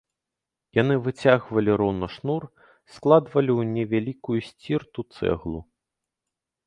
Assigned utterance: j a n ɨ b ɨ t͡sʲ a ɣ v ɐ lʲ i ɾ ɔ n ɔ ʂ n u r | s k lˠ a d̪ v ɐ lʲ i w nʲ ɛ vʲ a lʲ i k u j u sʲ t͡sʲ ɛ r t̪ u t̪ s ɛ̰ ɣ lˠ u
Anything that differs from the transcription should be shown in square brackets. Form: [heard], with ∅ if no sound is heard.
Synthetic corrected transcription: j a n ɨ [v] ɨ t͡sʲ a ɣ v ɐ lʲ i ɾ ɔ n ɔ ʂ n u r | s k lˠ a d̪ v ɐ lʲ i w nʲ ɛ vʲ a lʲ i k u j u sʲ t͡sʲ [i] r t̪ u t̪ s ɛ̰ ɣ lˠ u

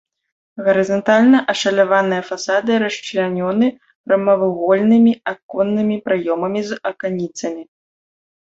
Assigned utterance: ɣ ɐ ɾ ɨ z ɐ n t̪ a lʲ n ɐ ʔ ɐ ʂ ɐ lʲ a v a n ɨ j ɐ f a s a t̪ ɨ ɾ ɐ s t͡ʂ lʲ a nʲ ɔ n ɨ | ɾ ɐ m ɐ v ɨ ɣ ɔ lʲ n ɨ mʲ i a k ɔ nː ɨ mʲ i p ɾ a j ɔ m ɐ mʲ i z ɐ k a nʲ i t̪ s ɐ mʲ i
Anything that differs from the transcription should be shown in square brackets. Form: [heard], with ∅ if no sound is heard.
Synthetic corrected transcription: ɣ ɐ ɾ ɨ z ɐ n t̪ a lʲ n ɐ ʔ ɐ ʂ ɐ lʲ a v a n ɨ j ɐ f a s a [d̪] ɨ ɾ ɐ [ʂ] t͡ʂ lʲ a nʲ ɔ n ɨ | ɾ ɐ m ɐ v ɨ ɣ ɔ lʲ n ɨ mʲ i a k ɔ nː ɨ mʲ i p ɾ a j ɔ m ɐ mʲ i z ɐ k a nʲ i t̪ s ɐ mʲ i

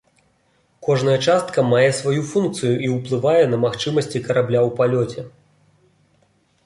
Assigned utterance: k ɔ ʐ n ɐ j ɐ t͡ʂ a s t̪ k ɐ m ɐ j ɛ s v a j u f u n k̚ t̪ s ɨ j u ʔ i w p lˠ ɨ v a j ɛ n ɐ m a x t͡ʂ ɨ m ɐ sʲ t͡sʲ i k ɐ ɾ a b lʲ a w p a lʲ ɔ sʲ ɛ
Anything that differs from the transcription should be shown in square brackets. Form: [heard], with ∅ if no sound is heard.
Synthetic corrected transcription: k ɔ ʐ n ɐ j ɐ t͡ʂ a s t̪ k ɐ m [a] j ɛ s v a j u f u n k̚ t̪ s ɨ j u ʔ i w p lˠ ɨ v a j ɛ n ɐ m a x t͡ʂ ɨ m ɐ sʲ t͡sʲ i k ɐ ɾ a b lʲ a w p a lʲ ɔ [t͡sʲ] ɛ

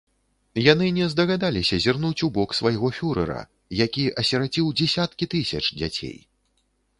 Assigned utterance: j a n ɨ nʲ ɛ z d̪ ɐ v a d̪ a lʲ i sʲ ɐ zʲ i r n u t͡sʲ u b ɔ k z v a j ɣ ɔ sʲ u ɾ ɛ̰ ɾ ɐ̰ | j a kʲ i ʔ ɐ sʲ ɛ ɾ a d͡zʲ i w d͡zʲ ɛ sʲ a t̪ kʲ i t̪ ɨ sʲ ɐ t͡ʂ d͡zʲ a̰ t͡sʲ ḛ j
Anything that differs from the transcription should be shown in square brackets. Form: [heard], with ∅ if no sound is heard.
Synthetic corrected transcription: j a n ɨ nʲ ɛ z d̪ ɐ [ɣ] a d̪ a lʲ i sʲ ɐ zʲ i r n u t͡sʲ u b ɔ k [s] v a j ɣ ɔ [fʲ] u ɾ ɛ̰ ɾ ɐ̰ | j a kʲ i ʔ ɐ sʲ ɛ ɾ a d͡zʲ i w d͡zʲ ɛ sʲ a t̪ kʲ i t̪ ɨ sʲ ɐ t͡ʂ d͡zʲ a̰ t͡sʲ ḛ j

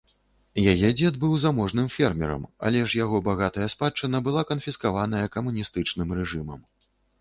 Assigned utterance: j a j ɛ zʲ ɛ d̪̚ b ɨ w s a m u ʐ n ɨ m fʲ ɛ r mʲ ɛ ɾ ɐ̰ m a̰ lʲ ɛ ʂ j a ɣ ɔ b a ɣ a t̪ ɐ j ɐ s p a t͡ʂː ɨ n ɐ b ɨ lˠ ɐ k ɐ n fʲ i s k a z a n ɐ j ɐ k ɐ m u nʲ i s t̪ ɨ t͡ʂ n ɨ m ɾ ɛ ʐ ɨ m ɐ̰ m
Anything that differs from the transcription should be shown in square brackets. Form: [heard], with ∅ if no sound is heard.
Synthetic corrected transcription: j a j ɛ [d͡zʲ] ɛ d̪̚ b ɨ w [z] a m [ɔ] ʐ n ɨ m fʲ ɛ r mʲ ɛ ɾ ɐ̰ m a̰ lʲ ɛ ʂ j a ɣ ɔ b a ɣ a t̪ ɐ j ɐ s p a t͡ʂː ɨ n ɐ b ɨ lˠ [a] k ɐ n fʲ i s k a [v] a n ɐ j ɐ k ɐ m u nʲ i s t̪ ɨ t͡ʂ n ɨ m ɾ ɛ ʐ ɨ m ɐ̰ m

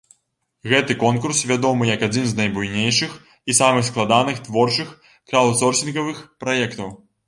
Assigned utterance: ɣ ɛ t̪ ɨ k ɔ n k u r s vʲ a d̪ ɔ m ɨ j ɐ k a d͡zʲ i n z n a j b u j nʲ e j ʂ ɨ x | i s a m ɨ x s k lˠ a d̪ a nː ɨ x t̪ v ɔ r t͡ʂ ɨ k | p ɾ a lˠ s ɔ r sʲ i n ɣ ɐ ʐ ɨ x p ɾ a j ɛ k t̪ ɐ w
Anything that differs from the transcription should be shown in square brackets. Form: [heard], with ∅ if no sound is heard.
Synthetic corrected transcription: ɣ ɛ t̪ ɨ k ɔ n k u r s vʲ a d̪ ɔ m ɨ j ɐ k a d͡zʲ i n z n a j b u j nʲ e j ʂ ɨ x | i s a m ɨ x s k lˠ a d̪ a [n] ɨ x t̪ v ɔ r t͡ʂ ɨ [x] | [k] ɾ a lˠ s ɔ r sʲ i n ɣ ɐ [v] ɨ x p ɾ a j ɛ k t̪ ɐ w

